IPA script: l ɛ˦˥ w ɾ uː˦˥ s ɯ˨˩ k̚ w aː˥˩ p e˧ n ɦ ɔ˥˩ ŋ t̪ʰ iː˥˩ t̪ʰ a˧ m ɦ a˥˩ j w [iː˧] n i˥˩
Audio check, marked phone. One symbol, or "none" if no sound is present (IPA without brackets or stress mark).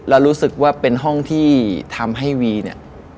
iː˧